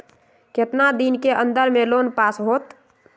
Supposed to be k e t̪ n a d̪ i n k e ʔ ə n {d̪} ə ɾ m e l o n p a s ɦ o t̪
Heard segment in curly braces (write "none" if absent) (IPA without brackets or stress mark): d̪